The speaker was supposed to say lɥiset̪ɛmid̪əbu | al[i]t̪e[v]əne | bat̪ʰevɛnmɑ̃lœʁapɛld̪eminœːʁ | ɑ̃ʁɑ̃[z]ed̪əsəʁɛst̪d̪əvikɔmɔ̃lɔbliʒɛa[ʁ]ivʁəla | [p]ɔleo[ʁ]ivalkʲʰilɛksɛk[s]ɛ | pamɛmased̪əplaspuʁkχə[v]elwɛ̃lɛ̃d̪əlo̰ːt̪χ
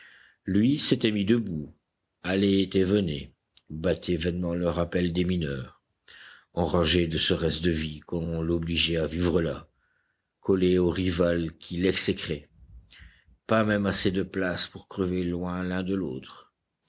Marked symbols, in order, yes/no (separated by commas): no, yes, no, no, no, yes, no, yes